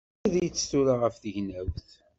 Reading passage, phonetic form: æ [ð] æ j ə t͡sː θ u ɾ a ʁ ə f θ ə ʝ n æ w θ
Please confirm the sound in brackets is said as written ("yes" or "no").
yes